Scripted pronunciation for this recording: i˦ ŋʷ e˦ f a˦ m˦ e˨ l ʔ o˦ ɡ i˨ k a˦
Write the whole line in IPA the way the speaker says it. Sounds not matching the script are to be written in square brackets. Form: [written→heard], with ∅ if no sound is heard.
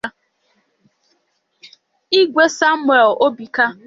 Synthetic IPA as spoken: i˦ [ŋʷ→ɡʷ] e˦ [f→s] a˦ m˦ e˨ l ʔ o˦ [ɡ→b] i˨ k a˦